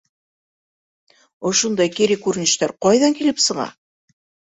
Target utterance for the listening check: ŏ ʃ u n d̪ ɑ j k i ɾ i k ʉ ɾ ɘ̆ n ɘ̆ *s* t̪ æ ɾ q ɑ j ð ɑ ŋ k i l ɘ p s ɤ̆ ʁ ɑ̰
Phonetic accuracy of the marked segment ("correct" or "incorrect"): incorrect